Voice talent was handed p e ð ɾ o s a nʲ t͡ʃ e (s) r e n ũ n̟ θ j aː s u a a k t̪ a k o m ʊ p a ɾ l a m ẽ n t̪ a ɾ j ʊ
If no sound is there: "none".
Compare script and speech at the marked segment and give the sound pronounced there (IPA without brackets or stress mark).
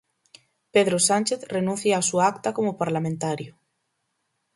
θ